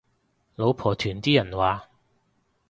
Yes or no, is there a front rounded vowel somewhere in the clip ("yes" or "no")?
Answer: yes